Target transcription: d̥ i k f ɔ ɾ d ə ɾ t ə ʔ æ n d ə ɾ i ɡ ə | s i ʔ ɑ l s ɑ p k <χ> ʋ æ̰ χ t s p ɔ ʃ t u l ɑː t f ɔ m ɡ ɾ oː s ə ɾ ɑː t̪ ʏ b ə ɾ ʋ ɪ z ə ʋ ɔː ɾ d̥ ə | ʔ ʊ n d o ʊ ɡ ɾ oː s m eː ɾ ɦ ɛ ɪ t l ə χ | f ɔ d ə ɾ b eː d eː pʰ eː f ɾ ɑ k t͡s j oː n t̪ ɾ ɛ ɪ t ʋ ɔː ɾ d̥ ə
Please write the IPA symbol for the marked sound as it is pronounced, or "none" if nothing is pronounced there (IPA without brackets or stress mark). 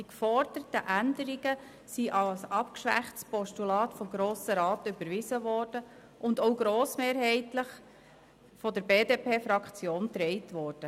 ʃ